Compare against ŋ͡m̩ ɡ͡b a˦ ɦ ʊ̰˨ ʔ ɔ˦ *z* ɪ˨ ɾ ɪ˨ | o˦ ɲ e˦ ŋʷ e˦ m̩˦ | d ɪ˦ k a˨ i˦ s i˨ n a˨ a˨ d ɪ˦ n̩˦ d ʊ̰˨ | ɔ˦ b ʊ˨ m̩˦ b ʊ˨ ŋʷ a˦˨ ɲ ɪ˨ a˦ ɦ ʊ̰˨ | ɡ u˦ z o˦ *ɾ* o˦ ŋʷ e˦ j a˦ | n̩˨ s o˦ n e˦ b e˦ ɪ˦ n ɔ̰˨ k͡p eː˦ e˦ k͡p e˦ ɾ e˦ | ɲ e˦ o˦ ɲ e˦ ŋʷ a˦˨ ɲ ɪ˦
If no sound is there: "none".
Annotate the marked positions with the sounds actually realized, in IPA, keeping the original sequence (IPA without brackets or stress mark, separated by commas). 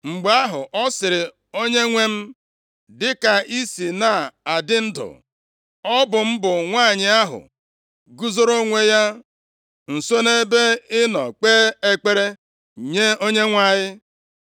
s, ɾ